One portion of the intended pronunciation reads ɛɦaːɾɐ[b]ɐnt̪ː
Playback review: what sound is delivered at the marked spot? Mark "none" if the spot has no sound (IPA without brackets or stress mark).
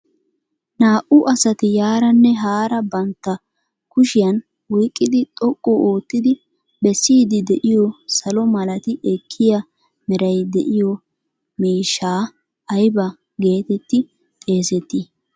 b